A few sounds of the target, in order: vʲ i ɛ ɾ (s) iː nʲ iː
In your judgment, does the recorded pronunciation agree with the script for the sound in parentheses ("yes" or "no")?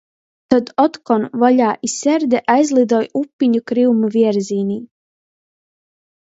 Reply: no